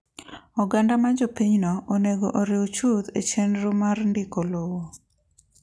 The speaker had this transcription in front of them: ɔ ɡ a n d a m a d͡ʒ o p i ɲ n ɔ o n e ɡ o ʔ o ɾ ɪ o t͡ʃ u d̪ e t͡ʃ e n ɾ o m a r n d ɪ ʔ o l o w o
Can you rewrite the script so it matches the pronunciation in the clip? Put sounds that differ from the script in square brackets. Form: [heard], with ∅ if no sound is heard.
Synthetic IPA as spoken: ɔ ɡ a n d a m a d͡ʒ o p i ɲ n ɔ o n e ɡ o ʔ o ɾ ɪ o t͡ʃ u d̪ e t͡ʃ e n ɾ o m a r n d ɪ [k] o l o w o